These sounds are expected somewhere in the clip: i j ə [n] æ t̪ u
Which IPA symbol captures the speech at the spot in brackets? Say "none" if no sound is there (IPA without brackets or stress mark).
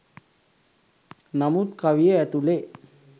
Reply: none